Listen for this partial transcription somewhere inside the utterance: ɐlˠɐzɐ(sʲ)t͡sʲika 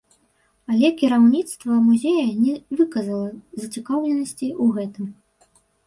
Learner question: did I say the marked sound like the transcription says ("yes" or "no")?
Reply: no